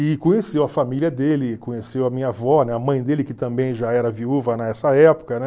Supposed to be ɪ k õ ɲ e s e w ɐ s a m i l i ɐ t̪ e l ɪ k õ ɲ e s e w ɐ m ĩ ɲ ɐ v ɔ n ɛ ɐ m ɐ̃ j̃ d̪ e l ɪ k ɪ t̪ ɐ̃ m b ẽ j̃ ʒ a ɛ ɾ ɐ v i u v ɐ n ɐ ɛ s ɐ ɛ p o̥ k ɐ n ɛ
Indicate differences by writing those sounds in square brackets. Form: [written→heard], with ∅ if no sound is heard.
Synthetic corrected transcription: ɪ k õ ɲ e s e w ɐ [s→f] a m i l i ɐ [t̪→d̪] e l ɪ k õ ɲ e s e w ɐ m ĩ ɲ ɐ v ɔ n ɛ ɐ m ɐ̃ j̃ d̪ e l ɪ k ɪ t̪ ɐ̃ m b ẽ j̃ ʒ a ɛ ɾ ɐ v i u v ɐ n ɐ ɛ s ɐ ɛ p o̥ k ɐ n ɛ

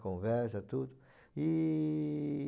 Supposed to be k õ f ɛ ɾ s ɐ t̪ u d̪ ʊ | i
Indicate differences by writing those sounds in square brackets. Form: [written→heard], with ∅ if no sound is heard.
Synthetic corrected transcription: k õ [f→v] ɛ ɾ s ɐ t̪ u d̪ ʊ | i

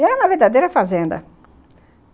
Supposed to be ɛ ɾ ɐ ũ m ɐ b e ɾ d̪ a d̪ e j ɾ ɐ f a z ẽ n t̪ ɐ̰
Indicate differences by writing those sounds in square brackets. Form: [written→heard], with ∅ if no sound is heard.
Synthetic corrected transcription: ɛ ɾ ɐ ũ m ɐ [b→v] e ɾ d̪ a d̪ e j ɾ ɐ f a z ẽ n [t̪→d̪] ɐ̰

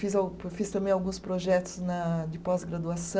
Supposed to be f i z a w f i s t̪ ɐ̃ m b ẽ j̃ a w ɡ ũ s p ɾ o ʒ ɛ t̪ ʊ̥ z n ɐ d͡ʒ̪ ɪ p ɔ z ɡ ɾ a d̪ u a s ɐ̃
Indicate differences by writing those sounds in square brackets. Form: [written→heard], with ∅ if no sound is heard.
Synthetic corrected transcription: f i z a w f i s t̪ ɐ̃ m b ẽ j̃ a w ɡ ũ s p ɾ o ʒ ɛ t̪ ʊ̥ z n ɐ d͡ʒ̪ ɪ p ɔ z ɡ ɾ a d̪ u a s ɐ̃

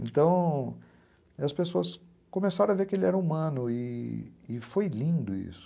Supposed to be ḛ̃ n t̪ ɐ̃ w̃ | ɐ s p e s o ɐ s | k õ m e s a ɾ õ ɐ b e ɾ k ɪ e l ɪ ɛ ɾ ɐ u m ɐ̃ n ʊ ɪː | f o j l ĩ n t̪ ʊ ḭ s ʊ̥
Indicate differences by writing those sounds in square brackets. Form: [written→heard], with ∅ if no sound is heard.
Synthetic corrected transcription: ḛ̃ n t̪ ɐ̃ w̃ | ɐ s p e s o ɐ s | k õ m e s a ɾ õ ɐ [b→v] e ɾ k ɪ e l ɪ ɛ ɾ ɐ u m ɐ̃ n ʊ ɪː | f o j l ĩ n [t̪→d̪] ʊ ḭ s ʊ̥

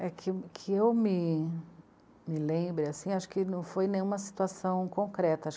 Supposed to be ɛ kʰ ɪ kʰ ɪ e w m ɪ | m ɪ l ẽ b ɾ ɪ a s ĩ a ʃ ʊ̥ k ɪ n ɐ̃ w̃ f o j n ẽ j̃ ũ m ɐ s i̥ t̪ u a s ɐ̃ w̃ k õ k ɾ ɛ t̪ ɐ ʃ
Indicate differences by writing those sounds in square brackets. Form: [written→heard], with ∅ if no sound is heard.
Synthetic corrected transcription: ɛ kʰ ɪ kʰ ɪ e w m ɪ | m ɪ l ẽ b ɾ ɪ a s ĩ a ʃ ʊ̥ k ɪ n ɐ̃ w̃ f o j n ẽ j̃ ũ m ɐ s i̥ t̪ u a s ɐ̃ w̃ k õ k ɾ ɛ t̪ ɐ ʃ

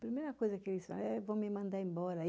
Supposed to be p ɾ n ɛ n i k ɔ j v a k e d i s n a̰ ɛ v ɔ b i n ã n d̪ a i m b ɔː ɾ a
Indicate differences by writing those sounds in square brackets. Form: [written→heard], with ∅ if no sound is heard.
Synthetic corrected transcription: p ɾ [n→m] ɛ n [i→a] k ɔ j [v→z] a k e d i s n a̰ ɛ v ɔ [b→m] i [n→m] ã n d̪ a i m b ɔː ɾ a

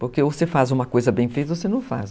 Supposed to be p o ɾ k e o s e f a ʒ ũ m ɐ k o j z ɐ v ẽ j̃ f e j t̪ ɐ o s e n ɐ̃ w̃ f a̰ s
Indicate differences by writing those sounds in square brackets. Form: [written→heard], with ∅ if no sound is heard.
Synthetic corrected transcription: p o ɾ k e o s e f a [ʒ→z] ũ m ɐ k o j z ɐ [v→b] ẽ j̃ f e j t̪ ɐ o s e n ɐ̃ w̃ f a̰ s

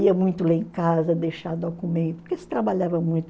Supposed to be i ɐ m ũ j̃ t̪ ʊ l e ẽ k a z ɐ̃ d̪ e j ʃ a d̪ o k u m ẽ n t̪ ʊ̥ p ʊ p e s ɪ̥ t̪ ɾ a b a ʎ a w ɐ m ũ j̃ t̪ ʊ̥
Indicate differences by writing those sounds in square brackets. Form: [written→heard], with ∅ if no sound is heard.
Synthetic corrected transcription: i ɐ m ũ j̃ t̪ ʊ l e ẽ k a z [ɐ̃→ɐ] d̪ e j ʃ a d̪ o k u m ẽ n t̪ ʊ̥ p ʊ [p→k] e s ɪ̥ t̪ ɾ a b a ʎ a [w→v] ɐ m ũ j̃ t̪ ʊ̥

